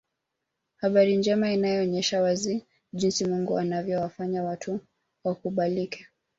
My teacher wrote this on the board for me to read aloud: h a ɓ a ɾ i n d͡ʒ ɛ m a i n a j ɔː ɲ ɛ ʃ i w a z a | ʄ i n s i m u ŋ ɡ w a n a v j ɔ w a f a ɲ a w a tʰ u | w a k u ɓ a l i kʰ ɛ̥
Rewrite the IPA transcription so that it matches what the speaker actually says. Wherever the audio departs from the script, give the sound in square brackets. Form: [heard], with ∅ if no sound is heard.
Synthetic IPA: h a ɓ a ɾ i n d͡ʒ ɛ m a i n a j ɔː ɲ ɛ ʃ [a] w a z [i] | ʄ i n s i m u ŋ ɡ [u] a n a v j ɔ w a f a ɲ a w a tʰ u | w a k u ɓ a l i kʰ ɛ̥